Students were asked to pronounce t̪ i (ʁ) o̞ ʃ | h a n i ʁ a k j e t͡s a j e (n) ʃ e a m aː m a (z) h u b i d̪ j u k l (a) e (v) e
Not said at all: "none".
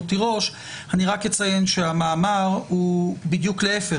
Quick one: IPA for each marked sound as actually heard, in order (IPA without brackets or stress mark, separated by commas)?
ʁ, n, ʁ, e, f